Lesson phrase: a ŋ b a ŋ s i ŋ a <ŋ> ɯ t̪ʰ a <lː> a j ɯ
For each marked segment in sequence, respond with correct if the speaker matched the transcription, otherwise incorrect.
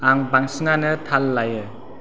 incorrect: n, correct

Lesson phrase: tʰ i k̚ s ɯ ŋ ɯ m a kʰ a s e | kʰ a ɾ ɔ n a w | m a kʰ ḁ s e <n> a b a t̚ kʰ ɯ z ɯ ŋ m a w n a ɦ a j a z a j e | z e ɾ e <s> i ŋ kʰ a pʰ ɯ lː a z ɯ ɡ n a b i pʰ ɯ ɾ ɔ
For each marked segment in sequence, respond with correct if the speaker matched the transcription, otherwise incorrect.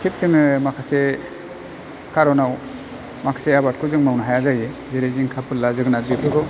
incorrect: none, incorrect: z

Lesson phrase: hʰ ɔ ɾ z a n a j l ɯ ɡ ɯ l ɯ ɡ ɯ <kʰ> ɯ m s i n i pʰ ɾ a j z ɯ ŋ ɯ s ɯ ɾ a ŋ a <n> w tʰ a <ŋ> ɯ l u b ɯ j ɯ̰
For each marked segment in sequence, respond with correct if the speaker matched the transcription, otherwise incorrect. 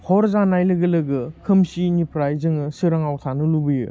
correct, incorrect: none, incorrect: n

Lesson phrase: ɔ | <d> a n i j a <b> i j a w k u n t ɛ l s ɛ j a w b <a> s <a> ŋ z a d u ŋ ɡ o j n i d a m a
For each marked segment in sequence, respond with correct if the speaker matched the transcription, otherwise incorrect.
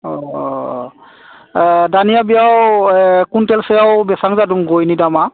correct, correct, incorrect: ɛ, correct

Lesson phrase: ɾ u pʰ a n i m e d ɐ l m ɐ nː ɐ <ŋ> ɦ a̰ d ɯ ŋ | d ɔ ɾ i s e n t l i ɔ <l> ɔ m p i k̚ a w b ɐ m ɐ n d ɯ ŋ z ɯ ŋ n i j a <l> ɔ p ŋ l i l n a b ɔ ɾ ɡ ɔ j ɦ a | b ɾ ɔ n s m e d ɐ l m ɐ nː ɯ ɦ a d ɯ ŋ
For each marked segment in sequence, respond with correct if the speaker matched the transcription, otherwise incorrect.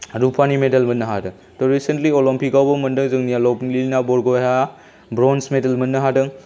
incorrect: none, correct, correct

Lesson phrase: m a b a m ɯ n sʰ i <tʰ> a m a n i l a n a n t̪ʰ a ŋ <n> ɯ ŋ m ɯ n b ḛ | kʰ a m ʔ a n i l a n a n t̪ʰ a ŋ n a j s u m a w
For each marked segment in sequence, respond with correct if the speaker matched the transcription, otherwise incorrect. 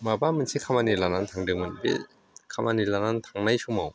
incorrect: kʰ, incorrect: d

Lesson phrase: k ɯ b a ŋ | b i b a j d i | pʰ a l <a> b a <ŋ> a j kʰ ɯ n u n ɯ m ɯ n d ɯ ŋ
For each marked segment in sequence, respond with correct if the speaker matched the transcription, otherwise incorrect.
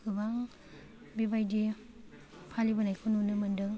incorrect: i, incorrect: n

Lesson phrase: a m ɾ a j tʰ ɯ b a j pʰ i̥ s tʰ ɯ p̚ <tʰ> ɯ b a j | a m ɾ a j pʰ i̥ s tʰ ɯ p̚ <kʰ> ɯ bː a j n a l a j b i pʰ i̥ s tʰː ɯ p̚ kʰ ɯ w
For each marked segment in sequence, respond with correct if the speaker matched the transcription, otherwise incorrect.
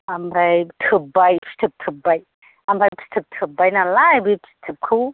correct, incorrect: tʰ

